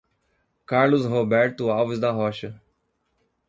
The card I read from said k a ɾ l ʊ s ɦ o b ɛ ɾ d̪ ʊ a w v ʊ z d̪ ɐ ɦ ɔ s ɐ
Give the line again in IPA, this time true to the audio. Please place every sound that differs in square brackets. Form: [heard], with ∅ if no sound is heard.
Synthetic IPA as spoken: k a ɾ l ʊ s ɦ o b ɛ ɾ [t̪] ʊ a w v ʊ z d̪ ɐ ɦ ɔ [ʃ] ɐ